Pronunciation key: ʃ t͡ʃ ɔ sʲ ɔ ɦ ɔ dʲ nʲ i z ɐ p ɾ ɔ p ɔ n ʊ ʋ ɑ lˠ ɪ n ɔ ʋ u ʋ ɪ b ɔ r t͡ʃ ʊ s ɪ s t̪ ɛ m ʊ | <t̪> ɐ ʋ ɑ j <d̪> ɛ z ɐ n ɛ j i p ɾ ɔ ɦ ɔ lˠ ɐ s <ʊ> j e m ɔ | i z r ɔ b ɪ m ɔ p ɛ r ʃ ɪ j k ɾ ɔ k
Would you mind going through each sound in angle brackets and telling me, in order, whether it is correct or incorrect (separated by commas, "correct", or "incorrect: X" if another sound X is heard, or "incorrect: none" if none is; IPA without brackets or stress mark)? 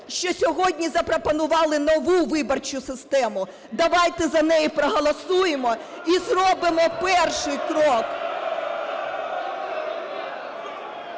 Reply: incorrect: d̪, incorrect: t̪, incorrect: u